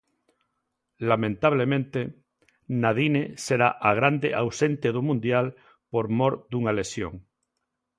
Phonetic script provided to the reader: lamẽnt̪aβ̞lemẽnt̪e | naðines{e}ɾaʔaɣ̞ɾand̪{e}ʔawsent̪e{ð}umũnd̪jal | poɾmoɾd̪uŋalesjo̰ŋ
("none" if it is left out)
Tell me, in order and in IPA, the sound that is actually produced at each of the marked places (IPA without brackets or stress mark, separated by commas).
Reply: e, e, ð